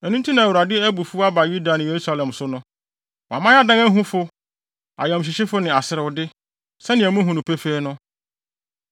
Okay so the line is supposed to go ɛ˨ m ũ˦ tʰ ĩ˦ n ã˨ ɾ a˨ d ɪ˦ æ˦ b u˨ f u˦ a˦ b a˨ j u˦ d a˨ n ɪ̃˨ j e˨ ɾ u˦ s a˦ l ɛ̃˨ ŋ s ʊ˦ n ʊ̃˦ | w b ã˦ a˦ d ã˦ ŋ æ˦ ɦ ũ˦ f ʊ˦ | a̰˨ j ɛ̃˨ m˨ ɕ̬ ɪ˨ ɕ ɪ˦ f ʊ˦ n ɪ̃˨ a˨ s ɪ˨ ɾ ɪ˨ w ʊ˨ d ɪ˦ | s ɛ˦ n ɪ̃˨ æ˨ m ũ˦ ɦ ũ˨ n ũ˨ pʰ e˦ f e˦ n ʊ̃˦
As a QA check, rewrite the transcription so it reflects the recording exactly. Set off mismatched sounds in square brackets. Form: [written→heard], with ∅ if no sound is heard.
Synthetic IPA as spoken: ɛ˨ [m→n] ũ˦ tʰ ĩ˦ n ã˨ ɾ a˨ d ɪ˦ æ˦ b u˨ f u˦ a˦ b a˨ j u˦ d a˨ n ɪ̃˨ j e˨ ɾ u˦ s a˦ l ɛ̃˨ [ŋ→m] s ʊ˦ n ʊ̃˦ | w [b→m] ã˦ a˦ d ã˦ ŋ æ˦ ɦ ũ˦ f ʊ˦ | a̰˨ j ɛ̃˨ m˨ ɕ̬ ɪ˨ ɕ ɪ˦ f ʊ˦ n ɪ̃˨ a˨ s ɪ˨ ɾ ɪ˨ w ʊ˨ d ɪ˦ | s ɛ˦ n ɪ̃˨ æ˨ m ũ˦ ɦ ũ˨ n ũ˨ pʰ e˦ f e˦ n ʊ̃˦